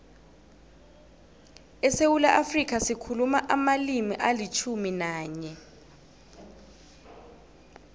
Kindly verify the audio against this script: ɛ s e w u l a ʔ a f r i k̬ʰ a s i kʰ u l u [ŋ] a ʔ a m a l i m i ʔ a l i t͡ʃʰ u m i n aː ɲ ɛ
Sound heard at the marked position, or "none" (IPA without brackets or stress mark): m